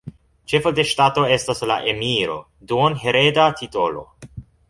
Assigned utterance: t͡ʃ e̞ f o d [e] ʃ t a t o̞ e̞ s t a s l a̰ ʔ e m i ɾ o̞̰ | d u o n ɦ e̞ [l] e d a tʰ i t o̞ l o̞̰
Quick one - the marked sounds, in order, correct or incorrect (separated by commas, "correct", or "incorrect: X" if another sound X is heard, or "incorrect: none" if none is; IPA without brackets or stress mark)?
correct, incorrect: ɾ